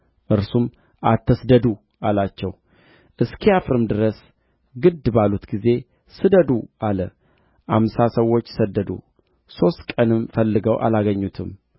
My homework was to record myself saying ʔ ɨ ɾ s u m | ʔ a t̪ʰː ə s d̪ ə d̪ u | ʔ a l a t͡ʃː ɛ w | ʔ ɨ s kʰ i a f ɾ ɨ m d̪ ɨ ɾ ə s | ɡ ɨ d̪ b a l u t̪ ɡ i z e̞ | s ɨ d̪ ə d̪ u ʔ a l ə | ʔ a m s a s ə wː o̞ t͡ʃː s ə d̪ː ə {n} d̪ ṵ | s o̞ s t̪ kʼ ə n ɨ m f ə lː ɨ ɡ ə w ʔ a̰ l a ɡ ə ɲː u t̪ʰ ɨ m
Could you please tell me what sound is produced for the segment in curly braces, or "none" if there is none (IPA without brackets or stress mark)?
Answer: none